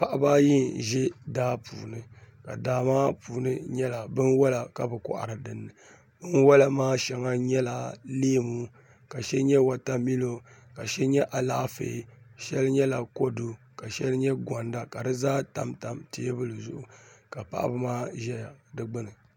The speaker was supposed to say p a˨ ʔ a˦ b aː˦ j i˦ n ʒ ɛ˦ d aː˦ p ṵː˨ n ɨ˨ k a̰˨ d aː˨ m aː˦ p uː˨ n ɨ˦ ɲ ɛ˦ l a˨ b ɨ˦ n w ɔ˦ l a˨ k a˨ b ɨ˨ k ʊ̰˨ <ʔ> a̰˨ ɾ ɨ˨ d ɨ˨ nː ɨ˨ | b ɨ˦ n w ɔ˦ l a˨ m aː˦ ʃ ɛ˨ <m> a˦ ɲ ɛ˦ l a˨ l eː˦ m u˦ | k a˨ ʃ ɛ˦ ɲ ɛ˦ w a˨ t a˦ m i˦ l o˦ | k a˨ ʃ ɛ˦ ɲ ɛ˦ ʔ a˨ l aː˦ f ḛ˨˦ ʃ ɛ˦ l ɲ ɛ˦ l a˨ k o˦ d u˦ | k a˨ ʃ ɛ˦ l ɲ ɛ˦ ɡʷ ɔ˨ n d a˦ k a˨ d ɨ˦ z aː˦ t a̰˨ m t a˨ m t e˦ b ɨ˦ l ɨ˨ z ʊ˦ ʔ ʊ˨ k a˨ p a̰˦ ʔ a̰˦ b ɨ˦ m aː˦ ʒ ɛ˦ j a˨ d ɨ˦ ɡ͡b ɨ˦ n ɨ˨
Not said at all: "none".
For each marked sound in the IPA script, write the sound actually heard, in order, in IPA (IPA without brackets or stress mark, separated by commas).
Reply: ʔ, ŋ